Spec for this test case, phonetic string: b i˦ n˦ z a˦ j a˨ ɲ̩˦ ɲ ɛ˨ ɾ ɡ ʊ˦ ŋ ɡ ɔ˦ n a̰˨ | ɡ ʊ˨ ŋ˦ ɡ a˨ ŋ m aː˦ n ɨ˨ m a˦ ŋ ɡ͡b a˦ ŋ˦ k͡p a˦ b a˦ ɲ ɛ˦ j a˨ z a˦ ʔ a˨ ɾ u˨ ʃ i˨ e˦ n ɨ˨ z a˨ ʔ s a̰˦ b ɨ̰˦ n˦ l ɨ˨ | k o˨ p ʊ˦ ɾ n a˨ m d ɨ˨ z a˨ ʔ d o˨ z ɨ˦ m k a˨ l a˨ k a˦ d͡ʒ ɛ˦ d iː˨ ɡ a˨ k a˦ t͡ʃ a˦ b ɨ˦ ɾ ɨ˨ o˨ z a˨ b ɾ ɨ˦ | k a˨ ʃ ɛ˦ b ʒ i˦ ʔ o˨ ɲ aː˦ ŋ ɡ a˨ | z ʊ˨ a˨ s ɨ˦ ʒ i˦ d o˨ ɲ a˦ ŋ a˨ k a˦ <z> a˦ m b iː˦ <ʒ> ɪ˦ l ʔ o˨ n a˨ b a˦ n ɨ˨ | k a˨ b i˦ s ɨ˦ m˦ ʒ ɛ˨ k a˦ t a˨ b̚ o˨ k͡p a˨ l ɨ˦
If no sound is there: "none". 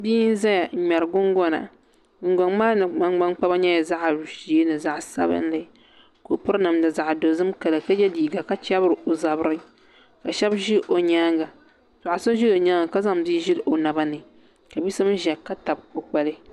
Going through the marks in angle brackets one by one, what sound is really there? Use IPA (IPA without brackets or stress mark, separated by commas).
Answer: z, ʒ